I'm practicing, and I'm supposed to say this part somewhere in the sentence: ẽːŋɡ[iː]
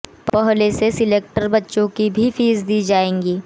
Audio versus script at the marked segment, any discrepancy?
no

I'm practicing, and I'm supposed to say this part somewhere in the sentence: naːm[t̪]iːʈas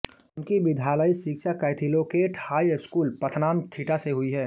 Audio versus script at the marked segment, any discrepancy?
yes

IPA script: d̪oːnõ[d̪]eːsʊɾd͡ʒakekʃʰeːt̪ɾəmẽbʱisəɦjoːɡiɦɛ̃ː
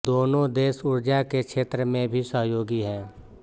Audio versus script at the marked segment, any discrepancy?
no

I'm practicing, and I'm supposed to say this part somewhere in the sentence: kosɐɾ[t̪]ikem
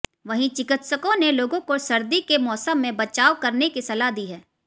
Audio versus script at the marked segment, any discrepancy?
yes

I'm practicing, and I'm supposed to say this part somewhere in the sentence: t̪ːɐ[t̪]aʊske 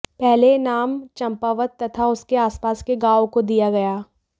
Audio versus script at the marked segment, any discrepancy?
yes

